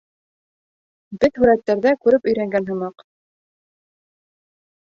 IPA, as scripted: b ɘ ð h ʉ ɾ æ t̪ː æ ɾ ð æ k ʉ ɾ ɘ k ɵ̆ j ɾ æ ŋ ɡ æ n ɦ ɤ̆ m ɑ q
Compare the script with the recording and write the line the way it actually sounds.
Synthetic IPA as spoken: b ɘ ð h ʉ ɾ æ t̪ː æ ɾ ð æ k ʉ ɾ ɘ p ɵ̆ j ɾ æ ŋ ɡ æ n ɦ ɤ̆ m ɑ q